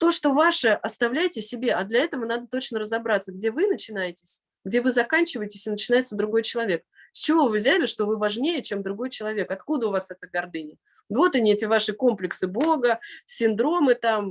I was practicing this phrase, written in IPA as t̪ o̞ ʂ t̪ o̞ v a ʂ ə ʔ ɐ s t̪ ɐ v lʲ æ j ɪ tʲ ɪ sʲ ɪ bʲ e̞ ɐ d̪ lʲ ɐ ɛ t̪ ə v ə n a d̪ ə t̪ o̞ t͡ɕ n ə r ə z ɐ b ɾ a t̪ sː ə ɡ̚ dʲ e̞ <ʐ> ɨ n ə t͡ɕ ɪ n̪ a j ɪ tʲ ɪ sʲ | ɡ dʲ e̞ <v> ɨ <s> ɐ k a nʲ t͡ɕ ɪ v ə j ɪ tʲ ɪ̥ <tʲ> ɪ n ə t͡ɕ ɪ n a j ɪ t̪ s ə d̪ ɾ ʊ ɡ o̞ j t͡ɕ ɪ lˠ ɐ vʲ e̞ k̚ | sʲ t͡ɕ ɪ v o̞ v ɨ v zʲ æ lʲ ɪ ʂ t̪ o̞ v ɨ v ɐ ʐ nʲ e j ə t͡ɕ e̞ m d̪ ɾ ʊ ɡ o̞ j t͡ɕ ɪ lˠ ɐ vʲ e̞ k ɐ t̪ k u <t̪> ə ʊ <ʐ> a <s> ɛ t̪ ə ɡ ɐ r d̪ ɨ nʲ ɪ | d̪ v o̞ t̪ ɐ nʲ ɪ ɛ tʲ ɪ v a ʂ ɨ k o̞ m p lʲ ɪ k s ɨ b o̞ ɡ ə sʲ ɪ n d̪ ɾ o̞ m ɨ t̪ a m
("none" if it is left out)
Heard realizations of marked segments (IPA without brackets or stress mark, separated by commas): v, v, z, sʲ, d̪, v, s